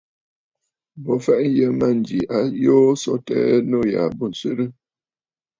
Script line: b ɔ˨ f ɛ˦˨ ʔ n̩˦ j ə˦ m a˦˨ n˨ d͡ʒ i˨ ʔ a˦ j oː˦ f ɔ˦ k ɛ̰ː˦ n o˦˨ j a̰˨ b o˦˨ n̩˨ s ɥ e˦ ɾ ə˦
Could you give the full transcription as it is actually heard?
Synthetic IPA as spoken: b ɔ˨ f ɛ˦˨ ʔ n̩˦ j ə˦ m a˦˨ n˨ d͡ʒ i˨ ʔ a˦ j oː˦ s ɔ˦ t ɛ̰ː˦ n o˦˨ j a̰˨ b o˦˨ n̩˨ s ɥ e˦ ɾ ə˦